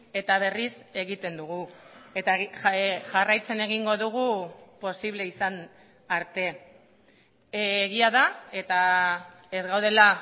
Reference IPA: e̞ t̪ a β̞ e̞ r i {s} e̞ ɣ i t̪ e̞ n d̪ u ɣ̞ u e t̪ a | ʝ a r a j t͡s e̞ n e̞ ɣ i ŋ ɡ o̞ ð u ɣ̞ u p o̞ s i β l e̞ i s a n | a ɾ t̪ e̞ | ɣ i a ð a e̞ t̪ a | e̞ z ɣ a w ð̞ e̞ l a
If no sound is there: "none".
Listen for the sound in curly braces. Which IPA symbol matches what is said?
s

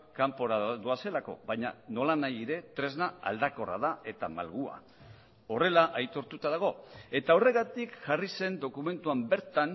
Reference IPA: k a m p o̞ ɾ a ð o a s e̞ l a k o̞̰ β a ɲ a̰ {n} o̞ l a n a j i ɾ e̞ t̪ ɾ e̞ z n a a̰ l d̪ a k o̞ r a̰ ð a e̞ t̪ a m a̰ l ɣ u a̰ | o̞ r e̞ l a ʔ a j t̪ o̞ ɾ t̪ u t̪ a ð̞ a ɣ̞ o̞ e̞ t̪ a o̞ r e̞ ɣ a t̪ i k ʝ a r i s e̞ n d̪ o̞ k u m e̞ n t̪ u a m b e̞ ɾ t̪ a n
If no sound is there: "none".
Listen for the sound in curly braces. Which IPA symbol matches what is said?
n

